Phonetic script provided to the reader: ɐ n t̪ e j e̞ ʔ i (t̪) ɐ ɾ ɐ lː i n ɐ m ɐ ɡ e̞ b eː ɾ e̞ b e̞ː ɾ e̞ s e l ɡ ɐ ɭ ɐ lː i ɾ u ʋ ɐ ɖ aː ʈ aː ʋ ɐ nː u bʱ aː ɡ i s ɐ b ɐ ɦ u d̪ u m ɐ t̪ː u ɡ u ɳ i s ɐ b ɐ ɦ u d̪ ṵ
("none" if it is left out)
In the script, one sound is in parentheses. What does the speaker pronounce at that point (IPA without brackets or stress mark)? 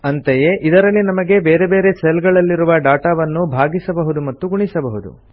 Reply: d̪